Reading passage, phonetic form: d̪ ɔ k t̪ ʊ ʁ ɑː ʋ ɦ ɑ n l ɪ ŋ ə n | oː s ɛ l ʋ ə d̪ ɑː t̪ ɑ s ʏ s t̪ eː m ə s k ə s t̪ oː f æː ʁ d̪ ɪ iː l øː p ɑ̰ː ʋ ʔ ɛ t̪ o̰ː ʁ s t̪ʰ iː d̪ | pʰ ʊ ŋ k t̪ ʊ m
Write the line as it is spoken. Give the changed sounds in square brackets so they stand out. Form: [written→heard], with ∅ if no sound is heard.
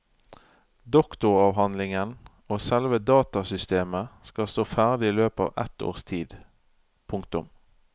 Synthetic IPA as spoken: d̪ ɔ k t̪ ʊ ʁ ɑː ʋ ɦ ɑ n l ɪ ŋ ə n | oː s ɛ l ʋ ə d̪ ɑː t̪ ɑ s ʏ s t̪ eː m ə s k [ə→ɑ] s t̪ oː f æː ʁ d̪ ɪ iː l øː p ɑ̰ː ʋ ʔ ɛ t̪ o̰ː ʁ s t̪ʰ iː d̪ | pʰ ʊ ŋ k t̪ ʊ m